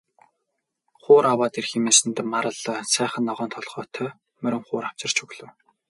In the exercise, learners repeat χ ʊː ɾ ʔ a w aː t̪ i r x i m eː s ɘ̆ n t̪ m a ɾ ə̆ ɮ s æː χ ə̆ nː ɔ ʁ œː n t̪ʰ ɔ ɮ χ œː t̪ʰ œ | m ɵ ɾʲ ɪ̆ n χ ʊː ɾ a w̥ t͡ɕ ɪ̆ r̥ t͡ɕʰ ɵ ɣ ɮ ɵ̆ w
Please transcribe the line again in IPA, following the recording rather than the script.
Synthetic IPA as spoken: χ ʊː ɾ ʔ a w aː t̪ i r x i m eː s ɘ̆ n t̪ m a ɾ ə̆ ɮ s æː χ ə̆ nː ɔ ʁ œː n t̪ʰ ɔ ɮ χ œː t̪ʰ œ | m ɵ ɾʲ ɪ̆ ŋ χ ʊː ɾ a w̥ t͡ɕ ɪ̆ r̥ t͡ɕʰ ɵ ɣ ɮ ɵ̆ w